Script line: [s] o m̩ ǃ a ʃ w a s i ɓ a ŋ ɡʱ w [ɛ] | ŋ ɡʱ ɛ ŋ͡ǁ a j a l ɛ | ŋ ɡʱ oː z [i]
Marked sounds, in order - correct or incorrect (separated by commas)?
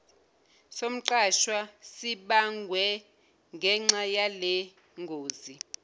correct, correct, correct